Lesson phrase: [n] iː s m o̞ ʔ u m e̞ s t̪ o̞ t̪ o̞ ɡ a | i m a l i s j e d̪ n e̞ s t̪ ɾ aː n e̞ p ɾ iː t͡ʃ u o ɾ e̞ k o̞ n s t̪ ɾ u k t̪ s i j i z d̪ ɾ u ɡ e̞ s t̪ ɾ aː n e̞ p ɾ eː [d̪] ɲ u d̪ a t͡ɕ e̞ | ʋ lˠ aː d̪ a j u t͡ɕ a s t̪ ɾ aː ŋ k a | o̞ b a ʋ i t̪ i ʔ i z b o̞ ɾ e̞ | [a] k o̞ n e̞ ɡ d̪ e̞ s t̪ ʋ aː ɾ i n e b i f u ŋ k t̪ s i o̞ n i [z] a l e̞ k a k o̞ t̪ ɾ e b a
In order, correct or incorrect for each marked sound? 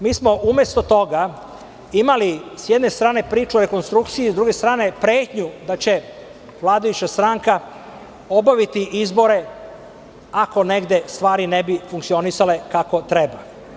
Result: incorrect: m, incorrect: t̪, correct, incorrect: s

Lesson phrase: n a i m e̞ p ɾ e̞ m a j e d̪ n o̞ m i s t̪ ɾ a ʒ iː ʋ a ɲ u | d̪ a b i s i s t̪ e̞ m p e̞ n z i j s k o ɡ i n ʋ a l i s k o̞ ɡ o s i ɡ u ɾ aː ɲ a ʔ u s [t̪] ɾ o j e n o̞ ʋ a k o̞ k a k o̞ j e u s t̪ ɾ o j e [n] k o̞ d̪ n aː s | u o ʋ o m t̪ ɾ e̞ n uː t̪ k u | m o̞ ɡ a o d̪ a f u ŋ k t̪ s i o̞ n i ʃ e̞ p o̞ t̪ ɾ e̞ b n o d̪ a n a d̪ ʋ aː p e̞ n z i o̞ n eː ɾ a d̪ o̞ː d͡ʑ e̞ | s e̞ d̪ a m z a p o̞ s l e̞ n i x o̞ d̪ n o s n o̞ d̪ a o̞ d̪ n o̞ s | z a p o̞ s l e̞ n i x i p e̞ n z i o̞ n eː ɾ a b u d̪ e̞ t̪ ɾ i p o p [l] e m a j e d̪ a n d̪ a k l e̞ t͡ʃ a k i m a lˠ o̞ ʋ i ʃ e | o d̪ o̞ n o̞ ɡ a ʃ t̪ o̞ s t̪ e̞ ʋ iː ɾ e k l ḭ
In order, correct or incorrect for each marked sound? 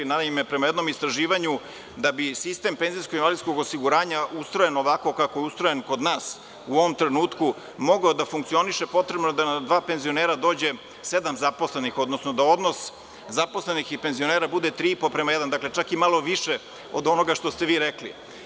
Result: correct, correct, incorrect: ɾ

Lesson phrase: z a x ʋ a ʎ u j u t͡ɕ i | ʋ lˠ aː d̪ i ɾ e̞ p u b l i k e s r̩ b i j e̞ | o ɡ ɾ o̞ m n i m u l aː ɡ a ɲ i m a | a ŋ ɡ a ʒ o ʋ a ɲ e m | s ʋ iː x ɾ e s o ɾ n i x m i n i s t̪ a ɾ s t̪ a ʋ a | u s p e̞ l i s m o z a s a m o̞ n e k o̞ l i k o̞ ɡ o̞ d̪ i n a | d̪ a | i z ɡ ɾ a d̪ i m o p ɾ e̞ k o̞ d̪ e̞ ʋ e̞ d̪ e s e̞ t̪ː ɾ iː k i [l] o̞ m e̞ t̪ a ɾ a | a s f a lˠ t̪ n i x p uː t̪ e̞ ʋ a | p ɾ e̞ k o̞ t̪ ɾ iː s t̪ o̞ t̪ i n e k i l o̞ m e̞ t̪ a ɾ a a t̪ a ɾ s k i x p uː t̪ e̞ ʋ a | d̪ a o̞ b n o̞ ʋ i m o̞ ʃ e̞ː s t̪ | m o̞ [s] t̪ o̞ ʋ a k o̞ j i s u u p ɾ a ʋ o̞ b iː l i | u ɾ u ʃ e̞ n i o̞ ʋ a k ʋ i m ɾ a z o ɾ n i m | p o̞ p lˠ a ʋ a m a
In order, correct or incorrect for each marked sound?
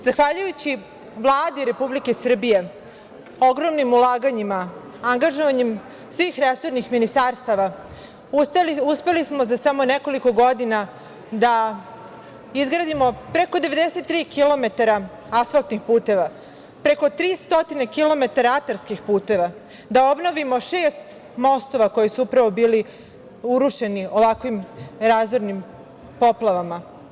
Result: correct, correct

